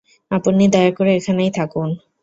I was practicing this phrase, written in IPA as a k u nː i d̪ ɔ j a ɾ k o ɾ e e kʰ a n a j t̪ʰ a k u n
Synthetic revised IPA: a p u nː i d̪ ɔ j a ɾ k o ɾ e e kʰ a n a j t̪ʰ a k u n